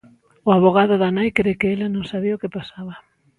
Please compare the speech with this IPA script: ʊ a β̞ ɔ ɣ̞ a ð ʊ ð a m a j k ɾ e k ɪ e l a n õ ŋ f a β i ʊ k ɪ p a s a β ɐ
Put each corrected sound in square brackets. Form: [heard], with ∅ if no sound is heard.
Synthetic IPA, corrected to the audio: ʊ a β̞ [o] ɣ̞ a ð ʊ ð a [n] a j k ɾ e k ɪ e l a n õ ŋ [s] a β i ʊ k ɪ p a s a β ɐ